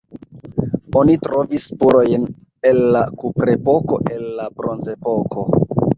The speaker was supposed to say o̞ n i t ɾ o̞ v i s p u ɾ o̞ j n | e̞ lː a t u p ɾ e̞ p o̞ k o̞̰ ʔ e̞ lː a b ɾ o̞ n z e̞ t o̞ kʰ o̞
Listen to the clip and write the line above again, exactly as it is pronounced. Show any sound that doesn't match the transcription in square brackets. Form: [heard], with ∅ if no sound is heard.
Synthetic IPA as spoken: o̞ n i t ɾ o̞ v i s p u ɾ o̞ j n | e̞ lː a [k] u p ɾ e̞ p o̞ k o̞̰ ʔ e̞ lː a b ɾ o̞ n z e̞ [p] o̞ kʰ o̞